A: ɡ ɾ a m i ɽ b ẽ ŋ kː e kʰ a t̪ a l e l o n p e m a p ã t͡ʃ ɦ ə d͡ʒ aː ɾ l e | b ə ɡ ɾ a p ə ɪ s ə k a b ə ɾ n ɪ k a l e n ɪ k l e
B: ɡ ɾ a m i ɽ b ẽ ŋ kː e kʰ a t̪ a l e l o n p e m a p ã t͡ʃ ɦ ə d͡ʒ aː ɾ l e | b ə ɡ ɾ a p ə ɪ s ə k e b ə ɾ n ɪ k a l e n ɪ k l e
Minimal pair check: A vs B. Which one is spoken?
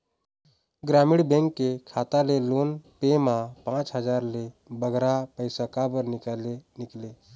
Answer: A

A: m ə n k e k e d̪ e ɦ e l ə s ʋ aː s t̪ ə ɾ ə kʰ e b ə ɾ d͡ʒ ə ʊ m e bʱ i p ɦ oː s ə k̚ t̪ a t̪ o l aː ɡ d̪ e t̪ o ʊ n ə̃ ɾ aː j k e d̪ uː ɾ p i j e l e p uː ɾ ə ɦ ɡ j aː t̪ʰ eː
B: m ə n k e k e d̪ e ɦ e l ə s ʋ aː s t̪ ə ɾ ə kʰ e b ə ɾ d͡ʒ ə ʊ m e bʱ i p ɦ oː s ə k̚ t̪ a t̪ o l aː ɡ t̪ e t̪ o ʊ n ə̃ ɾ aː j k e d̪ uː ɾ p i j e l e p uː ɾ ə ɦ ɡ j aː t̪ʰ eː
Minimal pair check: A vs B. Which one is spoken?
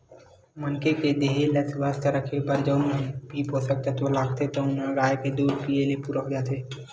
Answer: B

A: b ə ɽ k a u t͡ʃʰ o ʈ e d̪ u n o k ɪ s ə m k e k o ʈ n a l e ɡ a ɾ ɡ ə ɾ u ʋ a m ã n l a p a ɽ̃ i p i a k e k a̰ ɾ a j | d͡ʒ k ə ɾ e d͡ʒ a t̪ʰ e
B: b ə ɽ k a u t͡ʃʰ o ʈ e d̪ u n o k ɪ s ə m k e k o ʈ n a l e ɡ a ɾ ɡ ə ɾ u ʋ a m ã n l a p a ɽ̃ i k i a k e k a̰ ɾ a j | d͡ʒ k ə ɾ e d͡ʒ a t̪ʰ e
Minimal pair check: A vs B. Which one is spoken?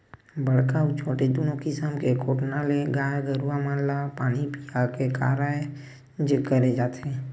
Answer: A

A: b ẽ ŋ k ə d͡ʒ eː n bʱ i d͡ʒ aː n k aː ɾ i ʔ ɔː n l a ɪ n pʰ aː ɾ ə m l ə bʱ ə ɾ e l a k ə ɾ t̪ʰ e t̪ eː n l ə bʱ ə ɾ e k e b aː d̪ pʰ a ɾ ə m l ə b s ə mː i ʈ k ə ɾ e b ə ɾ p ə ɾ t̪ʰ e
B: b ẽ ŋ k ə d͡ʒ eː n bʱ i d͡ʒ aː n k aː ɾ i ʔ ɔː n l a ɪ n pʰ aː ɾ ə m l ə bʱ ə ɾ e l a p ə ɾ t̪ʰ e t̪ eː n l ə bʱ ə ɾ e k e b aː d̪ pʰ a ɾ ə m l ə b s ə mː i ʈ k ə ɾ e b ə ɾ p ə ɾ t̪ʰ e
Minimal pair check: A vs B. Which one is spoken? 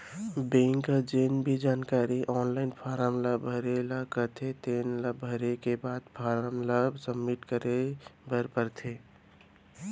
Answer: A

